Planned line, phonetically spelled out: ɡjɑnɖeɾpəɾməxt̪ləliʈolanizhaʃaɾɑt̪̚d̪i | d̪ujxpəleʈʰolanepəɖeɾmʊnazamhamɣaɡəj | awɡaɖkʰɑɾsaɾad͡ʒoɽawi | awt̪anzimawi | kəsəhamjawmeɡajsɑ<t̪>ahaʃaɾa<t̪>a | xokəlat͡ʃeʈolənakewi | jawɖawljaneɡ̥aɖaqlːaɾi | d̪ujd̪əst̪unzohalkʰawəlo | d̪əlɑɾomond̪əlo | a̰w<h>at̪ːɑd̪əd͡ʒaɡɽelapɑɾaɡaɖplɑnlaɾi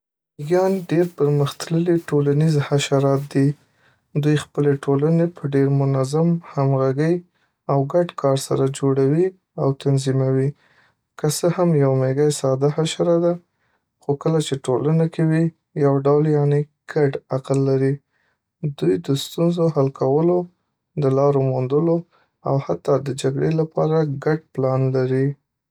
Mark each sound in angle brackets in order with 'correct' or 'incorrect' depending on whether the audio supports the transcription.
incorrect: d̪, incorrect: d̪, correct

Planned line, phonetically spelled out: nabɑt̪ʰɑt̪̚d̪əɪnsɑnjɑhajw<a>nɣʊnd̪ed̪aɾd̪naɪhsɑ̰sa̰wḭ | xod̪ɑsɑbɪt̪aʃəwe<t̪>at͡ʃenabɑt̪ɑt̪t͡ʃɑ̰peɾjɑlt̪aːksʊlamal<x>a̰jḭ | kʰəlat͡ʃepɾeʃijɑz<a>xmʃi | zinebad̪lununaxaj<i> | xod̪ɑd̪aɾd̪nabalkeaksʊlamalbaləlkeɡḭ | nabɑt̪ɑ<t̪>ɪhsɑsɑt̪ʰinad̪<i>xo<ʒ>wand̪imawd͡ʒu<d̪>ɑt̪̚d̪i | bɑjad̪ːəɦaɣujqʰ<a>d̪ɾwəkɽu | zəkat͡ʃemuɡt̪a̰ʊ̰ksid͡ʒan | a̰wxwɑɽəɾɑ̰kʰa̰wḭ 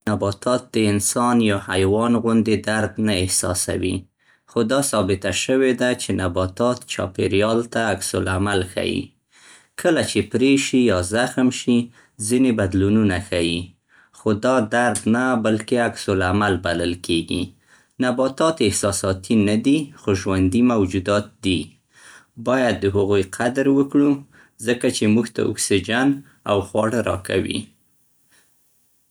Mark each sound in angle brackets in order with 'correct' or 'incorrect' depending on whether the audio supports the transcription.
incorrect: ɑ, incorrect: d̪, correct, correct, correct, correct, correct, correct, correct, correct

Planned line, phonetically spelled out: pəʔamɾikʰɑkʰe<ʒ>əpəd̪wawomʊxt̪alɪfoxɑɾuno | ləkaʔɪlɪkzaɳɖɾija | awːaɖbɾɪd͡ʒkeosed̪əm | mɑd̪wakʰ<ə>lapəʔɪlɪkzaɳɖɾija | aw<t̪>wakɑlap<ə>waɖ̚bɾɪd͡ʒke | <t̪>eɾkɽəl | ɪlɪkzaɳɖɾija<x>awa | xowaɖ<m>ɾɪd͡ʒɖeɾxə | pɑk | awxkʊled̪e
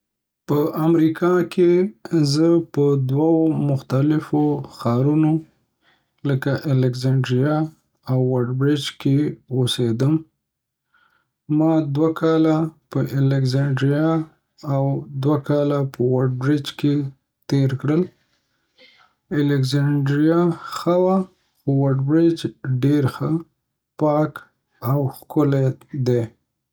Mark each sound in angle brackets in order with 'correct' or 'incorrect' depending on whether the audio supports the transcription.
incorrect: z, incorrect: ɑ, incorrect: d̪, correct, correct, correct, incorrect: b

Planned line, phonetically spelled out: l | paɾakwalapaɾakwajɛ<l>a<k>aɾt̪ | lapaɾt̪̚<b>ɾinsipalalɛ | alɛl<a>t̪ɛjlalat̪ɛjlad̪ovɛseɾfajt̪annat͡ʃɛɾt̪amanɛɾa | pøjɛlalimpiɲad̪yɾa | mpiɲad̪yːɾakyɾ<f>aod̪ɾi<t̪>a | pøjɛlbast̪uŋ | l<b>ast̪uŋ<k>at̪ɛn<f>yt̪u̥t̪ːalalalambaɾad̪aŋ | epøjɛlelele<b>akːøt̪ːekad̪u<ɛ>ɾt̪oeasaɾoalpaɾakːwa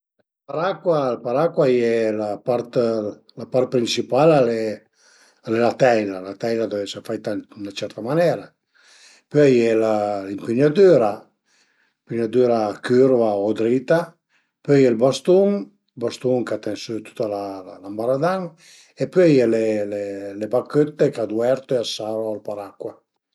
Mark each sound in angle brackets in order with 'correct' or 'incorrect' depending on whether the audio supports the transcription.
correct, incorrect: p, incorrect: p, correct, incorrect: v, correct, correct, correct, incorrect: s, correct, correct

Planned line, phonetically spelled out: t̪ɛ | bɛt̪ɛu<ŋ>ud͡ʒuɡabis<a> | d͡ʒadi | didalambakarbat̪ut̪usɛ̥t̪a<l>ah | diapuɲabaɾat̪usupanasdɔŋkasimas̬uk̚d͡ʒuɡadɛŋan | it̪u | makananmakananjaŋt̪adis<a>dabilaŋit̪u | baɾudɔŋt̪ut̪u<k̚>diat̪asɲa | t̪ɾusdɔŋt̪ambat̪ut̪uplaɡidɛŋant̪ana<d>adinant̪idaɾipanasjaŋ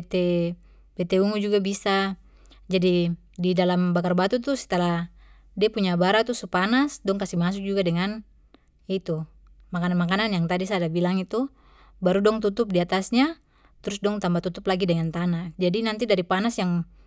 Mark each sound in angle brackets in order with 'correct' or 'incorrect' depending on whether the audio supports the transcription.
correct, correct, correct, correct, incorrect: p̚, incorrect: d͡ʒ

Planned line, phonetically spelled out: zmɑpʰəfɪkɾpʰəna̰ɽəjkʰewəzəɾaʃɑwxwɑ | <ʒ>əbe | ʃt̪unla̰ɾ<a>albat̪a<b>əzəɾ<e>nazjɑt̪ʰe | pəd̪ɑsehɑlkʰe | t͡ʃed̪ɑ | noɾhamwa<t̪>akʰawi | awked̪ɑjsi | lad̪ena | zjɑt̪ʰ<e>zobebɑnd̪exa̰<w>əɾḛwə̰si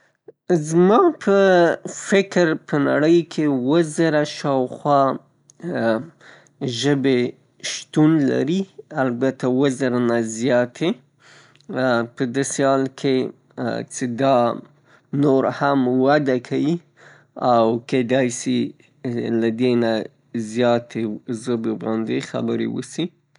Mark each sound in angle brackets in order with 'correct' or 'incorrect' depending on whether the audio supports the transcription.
correct, incorrect: i, incorrect: w, incorrect: a, incorrect: d̪, correct, incorrect: b

